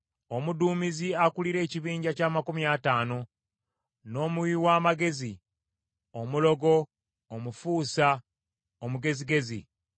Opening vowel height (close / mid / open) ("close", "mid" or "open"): mid